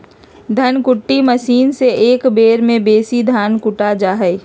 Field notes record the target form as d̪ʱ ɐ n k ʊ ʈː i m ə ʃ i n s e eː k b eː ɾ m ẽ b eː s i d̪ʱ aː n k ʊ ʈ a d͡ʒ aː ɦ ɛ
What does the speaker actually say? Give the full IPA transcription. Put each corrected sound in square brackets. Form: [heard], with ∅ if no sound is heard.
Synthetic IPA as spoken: d̪ʱ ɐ n k ʊ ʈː i m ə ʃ [iː] n s e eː k b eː ɾ m ẽ b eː s i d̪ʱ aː n k ʊ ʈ a d͡ʒ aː ɦ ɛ

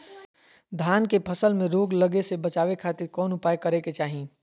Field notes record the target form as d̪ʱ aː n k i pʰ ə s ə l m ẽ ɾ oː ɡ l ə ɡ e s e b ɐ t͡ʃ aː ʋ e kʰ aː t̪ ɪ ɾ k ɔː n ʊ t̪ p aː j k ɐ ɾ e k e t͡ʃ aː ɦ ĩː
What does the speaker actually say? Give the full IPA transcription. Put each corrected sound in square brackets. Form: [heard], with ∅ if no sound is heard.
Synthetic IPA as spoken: d̪ʱ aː n k [e] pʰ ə s ə l m ẽ ɾ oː ɡ l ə ɡ e s e b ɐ t͡ʃ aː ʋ e kʰ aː t̪ ɪ ɾ k ɔː n ʊ [∅] p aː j k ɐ ɾ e k e t͡ʃ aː ɦ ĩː

